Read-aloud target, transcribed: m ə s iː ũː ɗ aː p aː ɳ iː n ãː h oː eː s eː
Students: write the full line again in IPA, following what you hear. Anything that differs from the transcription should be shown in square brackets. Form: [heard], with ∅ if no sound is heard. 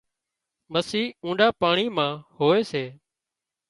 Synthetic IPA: m ə s iː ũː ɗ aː p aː ɳ iː [m] ãː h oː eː s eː